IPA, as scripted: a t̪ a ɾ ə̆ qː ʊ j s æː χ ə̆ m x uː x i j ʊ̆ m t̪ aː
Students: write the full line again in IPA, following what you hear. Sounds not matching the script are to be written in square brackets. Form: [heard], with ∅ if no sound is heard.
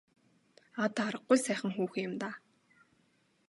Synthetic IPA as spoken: a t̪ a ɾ ə̆ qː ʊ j s æː χ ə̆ [ŋ] x uː x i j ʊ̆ m t̪ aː